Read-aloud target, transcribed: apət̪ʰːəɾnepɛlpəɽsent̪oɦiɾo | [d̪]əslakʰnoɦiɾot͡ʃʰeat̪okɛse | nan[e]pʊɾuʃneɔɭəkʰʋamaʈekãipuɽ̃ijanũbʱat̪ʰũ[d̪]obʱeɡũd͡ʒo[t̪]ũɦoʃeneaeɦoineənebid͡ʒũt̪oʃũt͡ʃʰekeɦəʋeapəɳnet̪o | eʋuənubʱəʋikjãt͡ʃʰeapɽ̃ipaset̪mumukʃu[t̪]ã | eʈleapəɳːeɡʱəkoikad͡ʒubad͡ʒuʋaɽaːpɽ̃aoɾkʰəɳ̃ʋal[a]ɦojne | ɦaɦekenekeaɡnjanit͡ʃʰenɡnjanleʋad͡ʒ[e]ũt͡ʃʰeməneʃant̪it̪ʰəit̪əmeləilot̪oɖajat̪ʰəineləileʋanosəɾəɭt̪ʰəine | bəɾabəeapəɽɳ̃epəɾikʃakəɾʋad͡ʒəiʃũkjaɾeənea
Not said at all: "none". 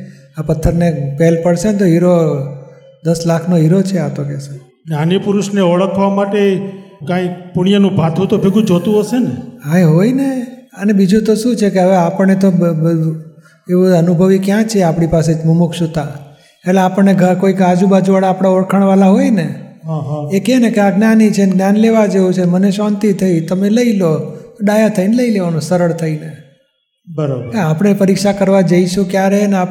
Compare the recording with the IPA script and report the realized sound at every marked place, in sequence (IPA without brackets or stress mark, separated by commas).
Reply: d̪, i, t̪, t̪, t̪, a, e